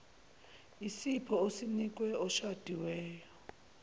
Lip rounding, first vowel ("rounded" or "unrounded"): unrounded